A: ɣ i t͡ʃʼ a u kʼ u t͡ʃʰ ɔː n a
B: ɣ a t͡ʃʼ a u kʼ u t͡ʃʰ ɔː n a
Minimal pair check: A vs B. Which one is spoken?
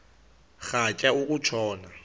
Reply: B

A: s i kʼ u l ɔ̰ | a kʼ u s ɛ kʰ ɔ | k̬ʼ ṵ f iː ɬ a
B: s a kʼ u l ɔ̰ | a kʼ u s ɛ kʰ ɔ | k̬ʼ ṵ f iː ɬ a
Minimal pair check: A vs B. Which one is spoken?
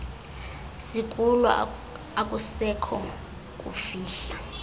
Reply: A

